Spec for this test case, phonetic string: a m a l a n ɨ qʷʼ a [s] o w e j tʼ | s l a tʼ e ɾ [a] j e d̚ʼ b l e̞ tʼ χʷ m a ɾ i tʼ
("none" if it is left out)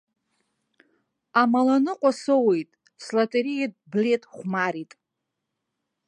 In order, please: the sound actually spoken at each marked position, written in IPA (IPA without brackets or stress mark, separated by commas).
s, i